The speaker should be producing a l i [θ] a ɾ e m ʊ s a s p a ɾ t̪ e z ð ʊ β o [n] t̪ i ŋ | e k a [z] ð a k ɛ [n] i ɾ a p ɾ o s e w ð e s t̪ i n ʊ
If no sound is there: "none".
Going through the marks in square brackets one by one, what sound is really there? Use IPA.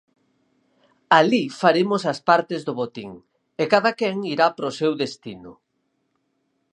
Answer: f, none, none, ŋ

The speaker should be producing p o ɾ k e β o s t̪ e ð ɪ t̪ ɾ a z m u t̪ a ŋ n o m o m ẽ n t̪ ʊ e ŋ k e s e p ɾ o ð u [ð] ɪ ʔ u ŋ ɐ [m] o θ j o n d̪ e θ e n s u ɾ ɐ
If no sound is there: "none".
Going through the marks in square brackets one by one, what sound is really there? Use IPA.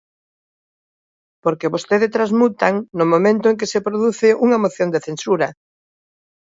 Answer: θ, m

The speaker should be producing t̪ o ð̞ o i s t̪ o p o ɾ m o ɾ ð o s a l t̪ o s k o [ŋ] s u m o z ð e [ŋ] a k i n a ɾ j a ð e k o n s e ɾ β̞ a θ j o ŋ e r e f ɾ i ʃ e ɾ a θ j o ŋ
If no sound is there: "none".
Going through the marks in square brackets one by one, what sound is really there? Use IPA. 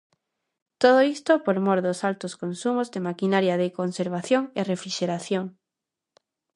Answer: n, m

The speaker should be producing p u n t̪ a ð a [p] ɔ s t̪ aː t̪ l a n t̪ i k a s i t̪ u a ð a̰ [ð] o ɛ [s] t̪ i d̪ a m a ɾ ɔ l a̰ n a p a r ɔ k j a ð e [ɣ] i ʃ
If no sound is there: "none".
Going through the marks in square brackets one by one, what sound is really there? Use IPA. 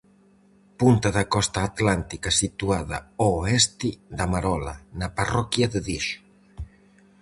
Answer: k, none, s, ð

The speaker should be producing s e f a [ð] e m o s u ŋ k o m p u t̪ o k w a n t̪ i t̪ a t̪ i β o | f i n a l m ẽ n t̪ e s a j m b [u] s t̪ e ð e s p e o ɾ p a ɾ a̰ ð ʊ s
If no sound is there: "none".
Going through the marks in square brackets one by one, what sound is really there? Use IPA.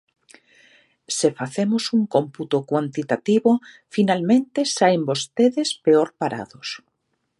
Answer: θ, o

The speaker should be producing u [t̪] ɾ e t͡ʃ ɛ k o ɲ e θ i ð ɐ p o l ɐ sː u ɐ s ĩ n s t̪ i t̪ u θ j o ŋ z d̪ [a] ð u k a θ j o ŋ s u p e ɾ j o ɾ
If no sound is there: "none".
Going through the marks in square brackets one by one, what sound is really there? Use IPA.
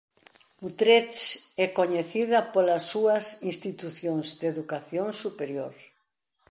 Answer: t̪, e

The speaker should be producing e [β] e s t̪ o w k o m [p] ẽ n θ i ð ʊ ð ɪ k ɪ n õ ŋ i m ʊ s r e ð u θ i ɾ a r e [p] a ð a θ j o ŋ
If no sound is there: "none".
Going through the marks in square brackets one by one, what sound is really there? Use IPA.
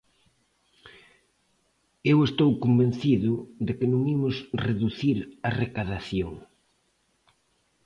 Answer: w, b, k

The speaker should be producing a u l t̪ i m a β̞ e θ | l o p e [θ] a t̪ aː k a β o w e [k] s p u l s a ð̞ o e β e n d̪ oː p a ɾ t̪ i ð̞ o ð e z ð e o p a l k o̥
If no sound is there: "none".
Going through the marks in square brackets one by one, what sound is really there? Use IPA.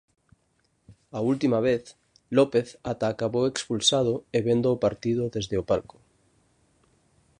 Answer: θ, k

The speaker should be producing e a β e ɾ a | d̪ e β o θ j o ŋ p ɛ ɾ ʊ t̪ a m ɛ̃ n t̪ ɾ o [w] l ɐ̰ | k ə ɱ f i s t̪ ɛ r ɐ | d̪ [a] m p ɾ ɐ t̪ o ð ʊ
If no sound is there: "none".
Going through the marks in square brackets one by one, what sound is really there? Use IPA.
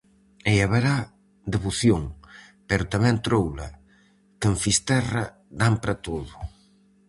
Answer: w, a

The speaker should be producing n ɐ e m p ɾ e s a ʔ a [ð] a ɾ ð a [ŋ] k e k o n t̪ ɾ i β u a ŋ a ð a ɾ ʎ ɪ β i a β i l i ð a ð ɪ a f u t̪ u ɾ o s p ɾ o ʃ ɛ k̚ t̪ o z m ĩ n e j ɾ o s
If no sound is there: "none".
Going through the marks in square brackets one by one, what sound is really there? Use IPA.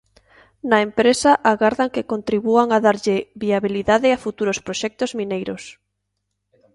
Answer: ɣ, ŋ

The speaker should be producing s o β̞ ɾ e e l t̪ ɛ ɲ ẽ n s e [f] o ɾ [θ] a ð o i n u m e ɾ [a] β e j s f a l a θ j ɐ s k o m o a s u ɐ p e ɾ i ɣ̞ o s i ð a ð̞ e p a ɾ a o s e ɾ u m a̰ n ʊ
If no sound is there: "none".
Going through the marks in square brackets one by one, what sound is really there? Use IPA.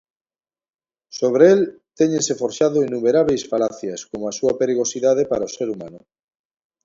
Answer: f, ʃ, a

